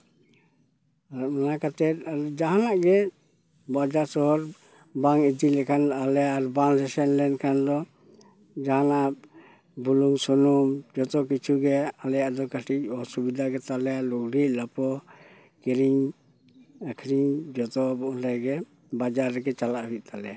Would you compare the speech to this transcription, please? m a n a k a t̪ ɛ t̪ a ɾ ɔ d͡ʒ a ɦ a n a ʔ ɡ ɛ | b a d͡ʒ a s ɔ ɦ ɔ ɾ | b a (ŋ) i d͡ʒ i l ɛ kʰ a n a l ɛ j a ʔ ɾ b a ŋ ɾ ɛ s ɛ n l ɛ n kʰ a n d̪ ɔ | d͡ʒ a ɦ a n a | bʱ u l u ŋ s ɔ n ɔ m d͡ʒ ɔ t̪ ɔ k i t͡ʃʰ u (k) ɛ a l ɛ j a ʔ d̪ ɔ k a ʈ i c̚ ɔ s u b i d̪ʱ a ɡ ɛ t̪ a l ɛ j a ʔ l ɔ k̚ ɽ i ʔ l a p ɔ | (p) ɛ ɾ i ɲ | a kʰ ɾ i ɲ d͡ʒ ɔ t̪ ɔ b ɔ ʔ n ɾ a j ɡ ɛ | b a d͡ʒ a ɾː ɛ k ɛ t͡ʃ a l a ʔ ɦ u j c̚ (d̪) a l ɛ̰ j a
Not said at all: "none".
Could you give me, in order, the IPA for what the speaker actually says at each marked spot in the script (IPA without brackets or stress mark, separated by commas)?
ŋ, ɡ, k, t̪